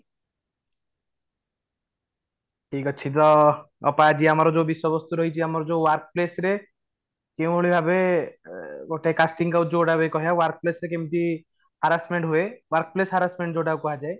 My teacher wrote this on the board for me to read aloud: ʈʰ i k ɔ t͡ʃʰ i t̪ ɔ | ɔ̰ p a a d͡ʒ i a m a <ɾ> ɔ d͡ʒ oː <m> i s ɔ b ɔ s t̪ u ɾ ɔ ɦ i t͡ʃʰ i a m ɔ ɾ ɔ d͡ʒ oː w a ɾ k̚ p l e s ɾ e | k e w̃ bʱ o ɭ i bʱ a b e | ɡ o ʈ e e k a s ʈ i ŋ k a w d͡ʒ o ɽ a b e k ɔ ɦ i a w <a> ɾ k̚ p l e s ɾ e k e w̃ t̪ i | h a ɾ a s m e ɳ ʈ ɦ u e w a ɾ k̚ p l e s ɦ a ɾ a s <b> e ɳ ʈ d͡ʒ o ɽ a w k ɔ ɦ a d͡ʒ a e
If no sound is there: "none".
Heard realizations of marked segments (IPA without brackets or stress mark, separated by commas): ɾ, b, a, m